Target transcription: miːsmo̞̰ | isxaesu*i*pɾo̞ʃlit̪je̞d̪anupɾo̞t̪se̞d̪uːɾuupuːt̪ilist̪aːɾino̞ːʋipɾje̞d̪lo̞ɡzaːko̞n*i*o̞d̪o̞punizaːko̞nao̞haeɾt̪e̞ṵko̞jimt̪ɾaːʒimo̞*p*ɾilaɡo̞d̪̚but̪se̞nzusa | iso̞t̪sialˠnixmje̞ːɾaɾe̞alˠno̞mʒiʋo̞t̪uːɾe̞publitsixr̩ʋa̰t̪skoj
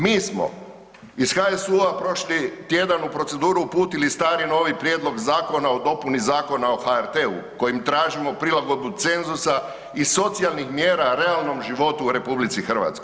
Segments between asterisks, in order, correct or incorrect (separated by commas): incorrect, incorrect, correct